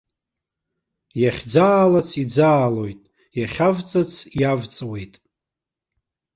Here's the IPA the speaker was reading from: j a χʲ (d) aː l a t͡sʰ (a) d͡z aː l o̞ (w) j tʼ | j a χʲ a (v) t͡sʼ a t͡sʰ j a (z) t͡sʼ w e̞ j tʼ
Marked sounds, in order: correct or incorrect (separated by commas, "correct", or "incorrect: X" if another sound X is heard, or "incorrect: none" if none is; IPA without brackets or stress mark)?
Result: incorrect: d͡z, incorrect: i, incorrect: none, correct, incorrect: v